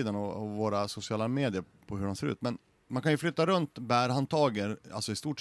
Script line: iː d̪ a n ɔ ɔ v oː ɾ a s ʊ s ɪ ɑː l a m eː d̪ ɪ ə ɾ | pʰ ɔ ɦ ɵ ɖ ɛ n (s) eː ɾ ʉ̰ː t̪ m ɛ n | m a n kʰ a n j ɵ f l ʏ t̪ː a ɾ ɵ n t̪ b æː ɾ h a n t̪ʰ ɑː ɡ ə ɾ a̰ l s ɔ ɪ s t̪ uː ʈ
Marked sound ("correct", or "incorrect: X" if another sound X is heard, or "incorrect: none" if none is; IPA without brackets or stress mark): correct